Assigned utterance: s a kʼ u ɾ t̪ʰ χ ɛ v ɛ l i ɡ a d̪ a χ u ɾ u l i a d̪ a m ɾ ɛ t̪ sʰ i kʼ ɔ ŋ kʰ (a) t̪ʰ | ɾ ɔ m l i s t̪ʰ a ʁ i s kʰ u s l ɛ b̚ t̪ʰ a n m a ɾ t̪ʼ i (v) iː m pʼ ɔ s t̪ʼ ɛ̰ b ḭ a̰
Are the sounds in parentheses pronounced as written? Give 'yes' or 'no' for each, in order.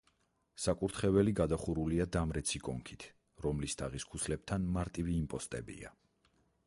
no, yes

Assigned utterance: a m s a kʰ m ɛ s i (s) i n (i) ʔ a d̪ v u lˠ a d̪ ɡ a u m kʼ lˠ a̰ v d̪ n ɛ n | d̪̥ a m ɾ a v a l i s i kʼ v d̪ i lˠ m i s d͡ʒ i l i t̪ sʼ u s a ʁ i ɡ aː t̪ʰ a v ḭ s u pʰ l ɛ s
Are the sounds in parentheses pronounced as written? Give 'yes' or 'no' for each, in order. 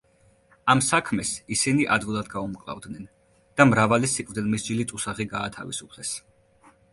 yes, yes

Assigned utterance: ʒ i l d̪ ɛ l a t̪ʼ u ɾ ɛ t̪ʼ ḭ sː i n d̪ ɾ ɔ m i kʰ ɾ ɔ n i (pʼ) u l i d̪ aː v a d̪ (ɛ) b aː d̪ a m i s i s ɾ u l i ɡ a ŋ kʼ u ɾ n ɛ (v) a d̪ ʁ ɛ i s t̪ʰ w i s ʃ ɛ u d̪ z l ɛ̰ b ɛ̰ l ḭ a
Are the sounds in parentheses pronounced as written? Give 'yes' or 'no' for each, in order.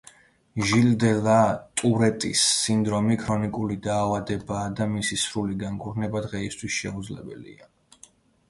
no, yes, no

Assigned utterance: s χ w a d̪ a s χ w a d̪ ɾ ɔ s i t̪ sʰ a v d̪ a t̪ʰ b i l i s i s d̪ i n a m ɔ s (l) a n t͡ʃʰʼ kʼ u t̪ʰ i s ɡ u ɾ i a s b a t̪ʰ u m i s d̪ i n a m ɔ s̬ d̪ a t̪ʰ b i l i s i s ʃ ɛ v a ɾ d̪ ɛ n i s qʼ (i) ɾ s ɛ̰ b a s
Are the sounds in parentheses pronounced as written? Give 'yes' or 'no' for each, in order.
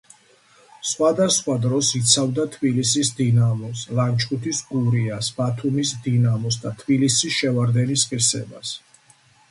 yes, yes

